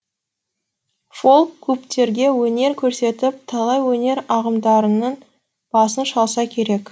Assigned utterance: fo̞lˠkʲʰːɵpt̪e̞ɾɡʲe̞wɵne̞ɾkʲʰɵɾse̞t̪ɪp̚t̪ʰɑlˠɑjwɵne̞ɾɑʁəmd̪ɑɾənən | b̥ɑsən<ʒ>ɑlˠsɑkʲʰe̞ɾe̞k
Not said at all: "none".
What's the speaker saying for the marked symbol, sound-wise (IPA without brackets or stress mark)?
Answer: ʃ